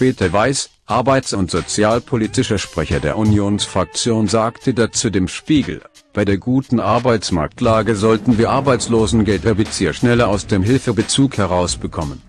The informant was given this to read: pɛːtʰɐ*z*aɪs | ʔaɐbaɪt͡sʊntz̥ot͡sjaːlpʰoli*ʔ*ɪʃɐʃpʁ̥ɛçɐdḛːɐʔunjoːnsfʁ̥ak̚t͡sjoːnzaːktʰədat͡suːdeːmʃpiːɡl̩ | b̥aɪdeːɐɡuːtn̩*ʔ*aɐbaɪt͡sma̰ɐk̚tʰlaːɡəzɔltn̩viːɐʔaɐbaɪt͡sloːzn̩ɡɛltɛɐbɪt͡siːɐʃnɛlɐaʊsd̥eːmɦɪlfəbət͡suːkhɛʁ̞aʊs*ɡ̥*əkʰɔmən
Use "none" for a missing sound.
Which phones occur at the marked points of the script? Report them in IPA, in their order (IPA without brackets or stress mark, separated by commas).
v, t, ʔ, b̥